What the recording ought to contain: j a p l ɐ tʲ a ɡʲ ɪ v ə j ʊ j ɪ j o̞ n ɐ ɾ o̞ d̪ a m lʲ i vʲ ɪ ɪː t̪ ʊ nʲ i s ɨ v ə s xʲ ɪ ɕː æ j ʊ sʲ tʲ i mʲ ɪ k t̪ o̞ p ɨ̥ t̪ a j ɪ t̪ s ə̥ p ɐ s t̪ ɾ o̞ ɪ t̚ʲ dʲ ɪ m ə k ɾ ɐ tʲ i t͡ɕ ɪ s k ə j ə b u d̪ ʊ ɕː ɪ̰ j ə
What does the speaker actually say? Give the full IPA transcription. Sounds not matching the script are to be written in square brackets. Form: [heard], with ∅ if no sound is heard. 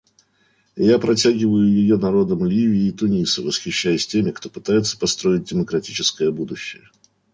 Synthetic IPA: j a p [ɾ] ɐ tʲ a ɡʲ ɪ v ə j ʊ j ɪ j o̞ n ɐ ɾ o̞ d̪ [ə] m lʲ i vʲ ɪ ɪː t̪ ʊ nʲ i s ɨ v ə s xʲ ɪ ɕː æ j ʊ sʲ tʲ [e] mʲ ɪ k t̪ o̞ p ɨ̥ t̪ a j ɪ t̪ s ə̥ p ɐ s t̪ ɾ o̞ ɪ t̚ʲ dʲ ɪ m ə k ɾ ɐ tʲ i t͡ɕ ɪ s k ə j ə b u d̪ ʊ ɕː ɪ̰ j ə